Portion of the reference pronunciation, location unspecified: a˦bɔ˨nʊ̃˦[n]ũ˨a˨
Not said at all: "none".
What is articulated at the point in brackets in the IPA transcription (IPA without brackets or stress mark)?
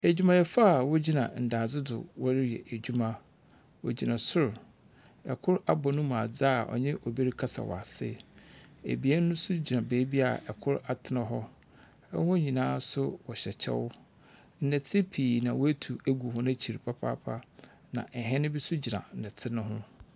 m